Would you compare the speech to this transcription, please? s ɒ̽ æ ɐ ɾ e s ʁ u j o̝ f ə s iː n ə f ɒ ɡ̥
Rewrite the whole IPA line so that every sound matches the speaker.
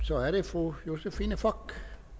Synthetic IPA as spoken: s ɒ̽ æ ɐ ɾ e f ʁ u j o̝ s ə f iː n ə f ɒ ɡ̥